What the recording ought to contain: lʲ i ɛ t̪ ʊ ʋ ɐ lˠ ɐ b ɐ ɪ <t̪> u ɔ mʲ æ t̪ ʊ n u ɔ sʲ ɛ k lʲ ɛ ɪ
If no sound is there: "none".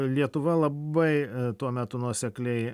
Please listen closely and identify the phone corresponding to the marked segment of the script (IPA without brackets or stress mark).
t̪